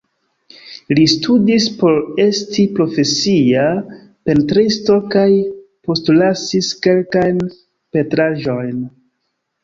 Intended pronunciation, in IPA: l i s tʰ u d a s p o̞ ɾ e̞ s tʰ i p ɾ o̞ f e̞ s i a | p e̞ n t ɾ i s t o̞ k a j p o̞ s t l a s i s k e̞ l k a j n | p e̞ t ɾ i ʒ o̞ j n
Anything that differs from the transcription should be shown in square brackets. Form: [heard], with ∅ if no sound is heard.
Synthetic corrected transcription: l i s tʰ u d [i] s p o̞ ɾ e̞ s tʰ i p ɾ o̞ f e̞ s i a | p e̞ n t ɾ i s t o̞ k a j p o̞ s t l a s i s k e̞ l k a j n | p e̞ t ɾ [a] ʒ o̞ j n